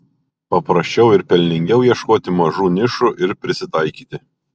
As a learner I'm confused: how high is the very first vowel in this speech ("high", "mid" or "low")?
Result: low